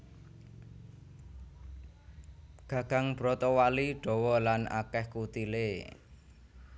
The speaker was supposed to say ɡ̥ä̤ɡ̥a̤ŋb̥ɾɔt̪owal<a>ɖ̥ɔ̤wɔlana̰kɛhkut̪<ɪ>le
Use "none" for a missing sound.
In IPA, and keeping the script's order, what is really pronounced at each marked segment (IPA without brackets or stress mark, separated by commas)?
i, i